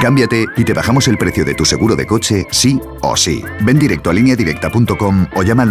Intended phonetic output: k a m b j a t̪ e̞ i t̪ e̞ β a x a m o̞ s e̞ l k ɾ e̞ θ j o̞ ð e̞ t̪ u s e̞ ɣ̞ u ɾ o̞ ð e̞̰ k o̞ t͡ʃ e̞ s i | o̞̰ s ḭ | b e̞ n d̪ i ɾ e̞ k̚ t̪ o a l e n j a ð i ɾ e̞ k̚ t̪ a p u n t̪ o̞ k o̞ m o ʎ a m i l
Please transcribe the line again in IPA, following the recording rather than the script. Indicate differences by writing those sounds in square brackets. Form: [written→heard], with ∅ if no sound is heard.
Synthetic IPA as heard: k a m b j a t̪ e̞ i t̪ e̞ β a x a m o̞ s e̞ l [k→p] ɾ e̞ θ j o̞ ð e̞ t̪ u s e̞ ɣ̞ u ɾ o̞ ð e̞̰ k o̞ t͡ʃ e̞ s i | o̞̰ s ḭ | b e̞ n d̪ i ɾ e̞ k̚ t̪ o a l [e→i] n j a ð i ɾ e̞ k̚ t̪ a p u n t̪ o̞ k o̞ m o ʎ a m [i→a] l